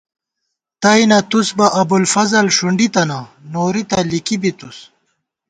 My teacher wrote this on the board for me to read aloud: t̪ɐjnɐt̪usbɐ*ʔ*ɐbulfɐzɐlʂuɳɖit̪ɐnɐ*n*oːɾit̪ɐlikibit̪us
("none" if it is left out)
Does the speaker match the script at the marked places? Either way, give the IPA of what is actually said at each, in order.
ʔ, n

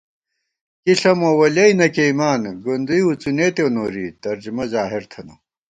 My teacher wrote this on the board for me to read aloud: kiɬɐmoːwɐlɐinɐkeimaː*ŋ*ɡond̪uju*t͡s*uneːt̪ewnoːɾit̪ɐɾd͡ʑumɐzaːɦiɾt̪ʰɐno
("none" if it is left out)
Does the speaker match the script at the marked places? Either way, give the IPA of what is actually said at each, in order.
n, t͡s

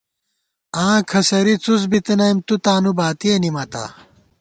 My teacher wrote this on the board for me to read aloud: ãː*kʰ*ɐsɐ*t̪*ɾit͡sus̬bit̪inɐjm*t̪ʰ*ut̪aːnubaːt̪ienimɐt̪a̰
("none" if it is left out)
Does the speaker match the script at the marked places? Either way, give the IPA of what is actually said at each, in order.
kʰ, none, t̪

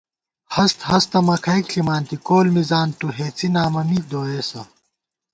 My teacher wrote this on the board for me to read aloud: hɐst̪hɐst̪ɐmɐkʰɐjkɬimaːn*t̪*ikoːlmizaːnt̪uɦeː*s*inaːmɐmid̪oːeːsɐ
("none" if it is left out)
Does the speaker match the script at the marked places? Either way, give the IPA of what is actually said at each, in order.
t̪, t͡s

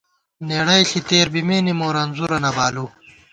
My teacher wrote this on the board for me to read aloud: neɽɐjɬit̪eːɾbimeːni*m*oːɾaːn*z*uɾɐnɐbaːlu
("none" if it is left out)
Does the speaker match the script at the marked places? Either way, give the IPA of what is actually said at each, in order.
m, z

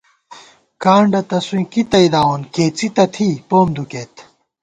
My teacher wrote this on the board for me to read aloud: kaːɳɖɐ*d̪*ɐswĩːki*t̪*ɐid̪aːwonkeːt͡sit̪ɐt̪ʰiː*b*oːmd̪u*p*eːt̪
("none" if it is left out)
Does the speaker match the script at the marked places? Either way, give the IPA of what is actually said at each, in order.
t̪, t̪, p, k

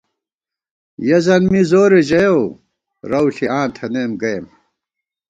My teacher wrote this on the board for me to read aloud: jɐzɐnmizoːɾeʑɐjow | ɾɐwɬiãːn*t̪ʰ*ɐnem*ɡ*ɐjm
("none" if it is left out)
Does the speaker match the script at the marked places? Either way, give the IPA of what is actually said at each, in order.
t̪ʰ, ɡ

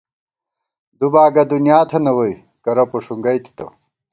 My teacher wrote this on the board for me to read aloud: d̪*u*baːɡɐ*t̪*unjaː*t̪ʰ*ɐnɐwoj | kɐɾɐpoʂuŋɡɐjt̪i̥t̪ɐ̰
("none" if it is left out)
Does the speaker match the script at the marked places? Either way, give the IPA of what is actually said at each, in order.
u, d̪, t̪ʰ

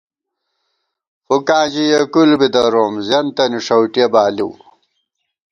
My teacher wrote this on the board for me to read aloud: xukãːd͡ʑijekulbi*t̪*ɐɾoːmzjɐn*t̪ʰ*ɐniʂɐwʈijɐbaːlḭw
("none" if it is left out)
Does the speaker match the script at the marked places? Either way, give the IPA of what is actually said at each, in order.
d̪, t̪

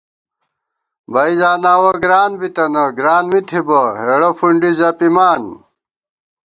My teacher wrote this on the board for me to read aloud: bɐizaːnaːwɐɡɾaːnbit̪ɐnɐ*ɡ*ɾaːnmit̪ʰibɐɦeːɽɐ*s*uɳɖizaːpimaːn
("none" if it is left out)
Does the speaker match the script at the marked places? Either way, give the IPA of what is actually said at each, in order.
ɡ, f

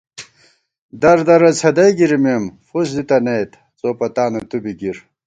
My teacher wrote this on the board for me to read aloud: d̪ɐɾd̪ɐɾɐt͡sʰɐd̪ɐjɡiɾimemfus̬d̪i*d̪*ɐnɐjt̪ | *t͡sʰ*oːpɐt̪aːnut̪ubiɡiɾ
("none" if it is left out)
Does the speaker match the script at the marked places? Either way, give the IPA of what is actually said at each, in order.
t̪, t͡s

